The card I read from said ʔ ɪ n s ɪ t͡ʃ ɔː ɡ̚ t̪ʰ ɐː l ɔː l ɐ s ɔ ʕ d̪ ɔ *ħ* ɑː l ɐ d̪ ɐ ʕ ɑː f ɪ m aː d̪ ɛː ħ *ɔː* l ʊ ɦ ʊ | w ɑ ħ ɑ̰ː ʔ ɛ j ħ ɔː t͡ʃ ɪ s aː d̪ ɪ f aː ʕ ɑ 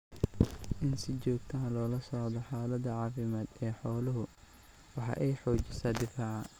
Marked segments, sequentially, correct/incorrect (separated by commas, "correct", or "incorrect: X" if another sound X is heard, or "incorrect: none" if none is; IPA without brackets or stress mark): correct, correct